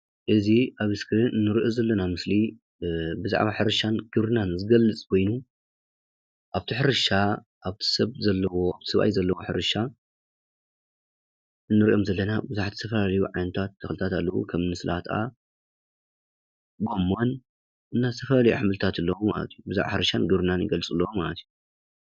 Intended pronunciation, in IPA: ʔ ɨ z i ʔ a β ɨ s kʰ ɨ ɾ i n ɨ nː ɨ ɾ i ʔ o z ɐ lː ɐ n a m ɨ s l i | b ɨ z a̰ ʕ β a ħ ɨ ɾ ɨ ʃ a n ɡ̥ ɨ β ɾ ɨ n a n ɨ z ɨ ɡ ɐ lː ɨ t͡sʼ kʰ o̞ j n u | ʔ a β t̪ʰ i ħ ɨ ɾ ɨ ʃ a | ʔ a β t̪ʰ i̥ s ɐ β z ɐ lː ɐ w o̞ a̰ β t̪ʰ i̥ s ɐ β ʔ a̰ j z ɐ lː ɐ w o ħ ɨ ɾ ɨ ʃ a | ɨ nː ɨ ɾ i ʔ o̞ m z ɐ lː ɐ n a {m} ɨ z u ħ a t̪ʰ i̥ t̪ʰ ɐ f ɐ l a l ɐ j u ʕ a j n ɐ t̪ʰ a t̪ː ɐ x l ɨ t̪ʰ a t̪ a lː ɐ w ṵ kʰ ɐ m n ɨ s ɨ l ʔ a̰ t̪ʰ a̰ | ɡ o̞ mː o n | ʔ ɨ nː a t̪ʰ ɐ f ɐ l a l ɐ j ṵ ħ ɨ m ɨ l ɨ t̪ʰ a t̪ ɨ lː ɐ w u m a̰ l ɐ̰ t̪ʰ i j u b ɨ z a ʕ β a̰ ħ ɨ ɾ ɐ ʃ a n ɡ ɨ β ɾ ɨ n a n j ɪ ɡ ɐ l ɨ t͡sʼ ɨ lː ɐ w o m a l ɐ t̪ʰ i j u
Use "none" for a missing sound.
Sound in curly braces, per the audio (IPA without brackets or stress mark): b